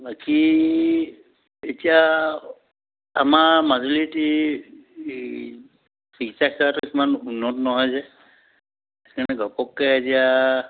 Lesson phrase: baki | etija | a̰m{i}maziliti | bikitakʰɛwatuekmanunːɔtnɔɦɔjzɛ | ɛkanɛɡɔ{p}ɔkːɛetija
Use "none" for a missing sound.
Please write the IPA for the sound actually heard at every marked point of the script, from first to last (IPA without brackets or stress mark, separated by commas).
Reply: a, p